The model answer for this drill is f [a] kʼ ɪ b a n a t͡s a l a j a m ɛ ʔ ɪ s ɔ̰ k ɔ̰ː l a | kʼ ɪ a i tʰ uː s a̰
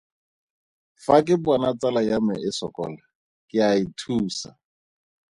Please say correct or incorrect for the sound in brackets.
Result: correct